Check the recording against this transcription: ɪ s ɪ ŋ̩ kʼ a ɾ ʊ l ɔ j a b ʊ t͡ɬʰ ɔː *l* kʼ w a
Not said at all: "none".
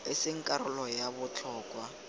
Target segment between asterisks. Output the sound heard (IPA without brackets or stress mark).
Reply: none